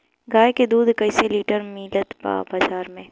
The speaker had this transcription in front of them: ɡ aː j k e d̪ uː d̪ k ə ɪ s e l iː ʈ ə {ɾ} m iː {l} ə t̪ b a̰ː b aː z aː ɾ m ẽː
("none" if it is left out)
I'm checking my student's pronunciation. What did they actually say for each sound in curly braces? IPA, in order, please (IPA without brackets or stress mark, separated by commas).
ɾ, l